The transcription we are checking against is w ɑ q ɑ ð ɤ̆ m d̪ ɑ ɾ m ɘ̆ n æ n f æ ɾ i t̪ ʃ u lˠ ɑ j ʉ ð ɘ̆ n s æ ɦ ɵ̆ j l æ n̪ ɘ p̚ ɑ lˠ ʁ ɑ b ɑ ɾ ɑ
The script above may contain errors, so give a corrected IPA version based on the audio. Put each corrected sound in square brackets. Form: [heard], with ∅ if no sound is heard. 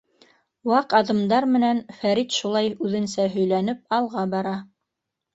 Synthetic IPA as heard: w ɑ q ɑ ð ɤ̆ m d̪ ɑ ɾ m ɘ̆ n æ n f æ ɾ i t̪ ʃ u lˠ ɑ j ʉ ð ɘ̆ n s æ ɦ ɵ̆ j l æ n̪ ɘ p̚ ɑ lˠ ʁ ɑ b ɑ ɾ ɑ